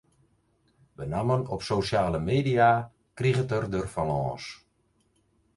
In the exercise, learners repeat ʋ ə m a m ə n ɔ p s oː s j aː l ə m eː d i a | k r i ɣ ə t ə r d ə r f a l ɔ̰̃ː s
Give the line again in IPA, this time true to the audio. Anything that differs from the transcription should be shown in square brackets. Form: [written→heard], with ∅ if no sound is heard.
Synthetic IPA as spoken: ʋ ə [m→n] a m ə n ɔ p s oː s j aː l ə m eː d i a | k r i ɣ ə t ə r d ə r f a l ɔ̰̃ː s